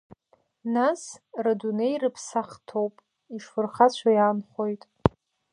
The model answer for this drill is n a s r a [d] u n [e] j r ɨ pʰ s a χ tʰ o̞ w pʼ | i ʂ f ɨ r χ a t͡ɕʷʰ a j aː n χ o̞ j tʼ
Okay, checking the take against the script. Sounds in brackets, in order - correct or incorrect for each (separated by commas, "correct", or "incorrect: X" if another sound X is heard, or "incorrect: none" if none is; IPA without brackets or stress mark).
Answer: correct, correct